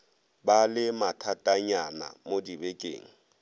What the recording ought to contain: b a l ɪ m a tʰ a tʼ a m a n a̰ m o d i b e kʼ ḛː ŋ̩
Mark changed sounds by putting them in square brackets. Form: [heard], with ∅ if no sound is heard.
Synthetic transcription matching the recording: b a l ɪ m a tʰ a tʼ a [ɲ] a n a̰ m o d i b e kʼ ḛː ŋ̩